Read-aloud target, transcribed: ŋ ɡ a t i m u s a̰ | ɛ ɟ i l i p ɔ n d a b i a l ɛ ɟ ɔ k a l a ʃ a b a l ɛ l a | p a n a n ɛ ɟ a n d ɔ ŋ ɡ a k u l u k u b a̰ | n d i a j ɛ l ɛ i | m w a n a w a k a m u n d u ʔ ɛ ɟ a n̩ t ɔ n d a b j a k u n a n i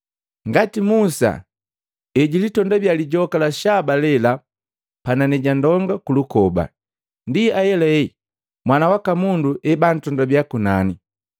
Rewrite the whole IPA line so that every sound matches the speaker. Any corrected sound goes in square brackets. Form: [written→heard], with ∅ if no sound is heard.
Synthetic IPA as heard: ŋ ɡ a t i m u s a̰ | ɛ ɟ i l i [p→t] ɔ n d a b [i→j] a l [ɛ→i] ɟ ɔ k a l a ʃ a b a l ɛ l a | p a n a n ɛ ɟ a n d ɔ ŋ ɡ a k u l u k [u→ɔ] b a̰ | n d i a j ɛ l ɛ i | m w a n a w a k a m u n d u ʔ ɛ [ɟ→b] a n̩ t ɔ n d a b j a k u n a n i

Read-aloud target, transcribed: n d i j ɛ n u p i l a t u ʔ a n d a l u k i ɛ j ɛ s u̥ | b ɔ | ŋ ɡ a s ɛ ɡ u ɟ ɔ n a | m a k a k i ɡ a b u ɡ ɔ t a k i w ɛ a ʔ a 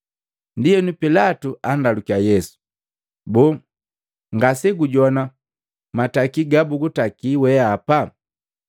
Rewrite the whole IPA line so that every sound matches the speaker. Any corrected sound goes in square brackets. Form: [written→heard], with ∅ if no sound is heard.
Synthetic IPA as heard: n d i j ɛ n u p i l a t u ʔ a n d a l u k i [ɛ→a] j ɛ s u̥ | b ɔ | ŋ ɡ a s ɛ ɡ u ɟ ɔ n a | m a [k→t] a k i ɡ a b u ɡ [ɔ→u] t a k i w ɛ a [ʔ→p] a

